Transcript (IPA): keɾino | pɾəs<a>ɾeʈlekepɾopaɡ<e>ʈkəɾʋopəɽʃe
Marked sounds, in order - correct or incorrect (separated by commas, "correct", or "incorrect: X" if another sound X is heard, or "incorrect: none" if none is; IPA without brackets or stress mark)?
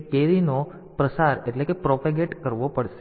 correct, correct